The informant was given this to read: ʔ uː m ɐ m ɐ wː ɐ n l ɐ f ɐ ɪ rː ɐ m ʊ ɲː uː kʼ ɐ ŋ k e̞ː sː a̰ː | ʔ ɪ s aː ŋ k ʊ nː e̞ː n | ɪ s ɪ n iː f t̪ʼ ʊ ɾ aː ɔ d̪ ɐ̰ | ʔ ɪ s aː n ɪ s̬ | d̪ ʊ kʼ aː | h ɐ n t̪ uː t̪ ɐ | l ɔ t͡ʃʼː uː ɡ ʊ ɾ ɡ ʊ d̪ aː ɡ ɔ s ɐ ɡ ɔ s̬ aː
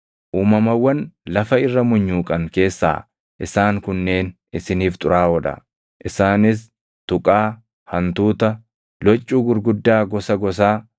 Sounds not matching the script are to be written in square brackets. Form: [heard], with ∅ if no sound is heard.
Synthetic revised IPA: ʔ uː m ɐ m ɐ wː ɐ n l ɐ f ɐ ɪ rː ɐ m ʊ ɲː uː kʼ ɐ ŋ k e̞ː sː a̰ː | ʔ ɪ s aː ŋ k ʊ nː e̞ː n | ɪ s ɪ n iː f t̪ʼ ʊ ɾ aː ɔ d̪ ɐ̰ | ʔ ɪ s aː n ɪ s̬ | [t̪] ʊ kʼ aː | h ɐ n t̪ uː t̪ ɐ | l ɔ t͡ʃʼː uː ɡ ʊ ɾ ɡ ʊ [d̪ː] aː ɡ ɔ s ɐ ɡ ɔ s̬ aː